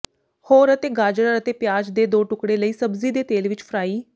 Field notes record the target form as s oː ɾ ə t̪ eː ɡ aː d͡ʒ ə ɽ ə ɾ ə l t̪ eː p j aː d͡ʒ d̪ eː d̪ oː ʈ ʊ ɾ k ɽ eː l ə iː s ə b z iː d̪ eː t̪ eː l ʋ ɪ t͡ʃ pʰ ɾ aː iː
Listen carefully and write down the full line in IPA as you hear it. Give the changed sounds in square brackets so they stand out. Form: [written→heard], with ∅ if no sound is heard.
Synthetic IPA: [s→h] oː ɾ ə t̪ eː ɡ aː d͡ʒ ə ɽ ə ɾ ə [l→∅] t̪ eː p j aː d͡ʒ d̪ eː d̪ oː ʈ ʊ [ɾ→∅] k ɽ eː l ə iː s ə b z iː d̪ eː t̪ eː l ʋ ɪ t͡ʃ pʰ ɾ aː iː